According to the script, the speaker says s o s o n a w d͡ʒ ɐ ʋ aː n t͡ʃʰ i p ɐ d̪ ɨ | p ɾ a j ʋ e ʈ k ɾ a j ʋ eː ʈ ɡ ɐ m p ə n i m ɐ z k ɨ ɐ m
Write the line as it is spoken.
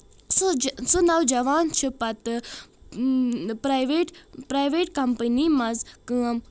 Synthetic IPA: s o s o n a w d͡ʒ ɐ ʋ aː n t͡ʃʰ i p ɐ t̪ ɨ | p ɾ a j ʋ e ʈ p ɾ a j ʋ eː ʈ k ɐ m p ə n i m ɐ z k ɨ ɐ m